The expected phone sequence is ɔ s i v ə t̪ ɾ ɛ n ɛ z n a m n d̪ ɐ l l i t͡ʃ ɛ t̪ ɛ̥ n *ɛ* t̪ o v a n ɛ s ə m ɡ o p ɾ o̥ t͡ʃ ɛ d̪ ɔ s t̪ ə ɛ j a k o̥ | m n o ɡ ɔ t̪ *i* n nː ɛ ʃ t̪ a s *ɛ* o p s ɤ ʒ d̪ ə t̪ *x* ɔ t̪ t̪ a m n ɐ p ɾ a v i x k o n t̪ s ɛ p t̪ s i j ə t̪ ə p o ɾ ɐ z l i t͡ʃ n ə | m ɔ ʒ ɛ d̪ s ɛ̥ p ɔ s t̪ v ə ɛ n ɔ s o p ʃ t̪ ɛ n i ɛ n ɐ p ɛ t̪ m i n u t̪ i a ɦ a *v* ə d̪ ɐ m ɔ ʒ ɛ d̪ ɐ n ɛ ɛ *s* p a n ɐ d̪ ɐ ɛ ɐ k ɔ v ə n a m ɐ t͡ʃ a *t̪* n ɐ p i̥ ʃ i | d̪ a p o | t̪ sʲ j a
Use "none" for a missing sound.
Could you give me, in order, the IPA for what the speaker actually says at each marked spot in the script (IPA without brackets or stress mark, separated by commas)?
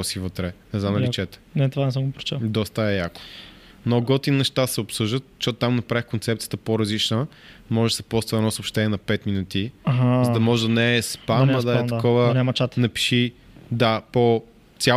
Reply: ɛ, i, ɛ, ʃ, z, s, t̪